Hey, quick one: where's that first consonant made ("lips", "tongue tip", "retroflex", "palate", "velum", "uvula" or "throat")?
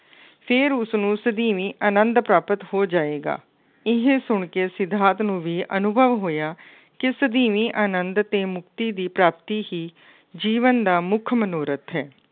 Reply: lips